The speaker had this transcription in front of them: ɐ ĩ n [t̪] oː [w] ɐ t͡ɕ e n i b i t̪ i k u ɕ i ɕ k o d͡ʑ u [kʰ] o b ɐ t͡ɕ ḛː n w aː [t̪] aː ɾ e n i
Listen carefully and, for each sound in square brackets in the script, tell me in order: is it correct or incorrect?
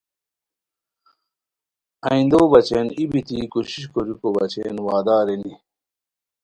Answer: incorrect: d̪, incorrect: b, incorrect: k, incorrect: d̪

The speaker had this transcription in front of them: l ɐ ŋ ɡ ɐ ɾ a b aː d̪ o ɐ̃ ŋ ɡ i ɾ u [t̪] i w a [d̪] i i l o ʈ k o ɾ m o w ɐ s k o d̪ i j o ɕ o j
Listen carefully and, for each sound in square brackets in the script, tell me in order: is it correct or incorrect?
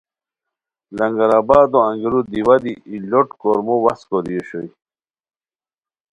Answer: incorrect: d̪, correct

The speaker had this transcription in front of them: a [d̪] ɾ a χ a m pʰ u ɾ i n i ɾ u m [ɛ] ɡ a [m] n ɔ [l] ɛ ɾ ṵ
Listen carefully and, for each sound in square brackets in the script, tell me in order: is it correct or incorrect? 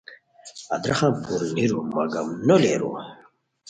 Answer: correct, incorrect: a, correct, correct

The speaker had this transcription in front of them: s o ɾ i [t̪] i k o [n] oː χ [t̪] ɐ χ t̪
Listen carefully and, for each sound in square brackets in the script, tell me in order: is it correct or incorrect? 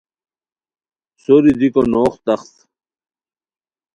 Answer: incorrect: d̪, correct, correct

